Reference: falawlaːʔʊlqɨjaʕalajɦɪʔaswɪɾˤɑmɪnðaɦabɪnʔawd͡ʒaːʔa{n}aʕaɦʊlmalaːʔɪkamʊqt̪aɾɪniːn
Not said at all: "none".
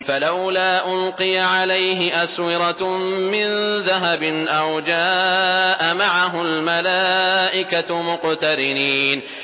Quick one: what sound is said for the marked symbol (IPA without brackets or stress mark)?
m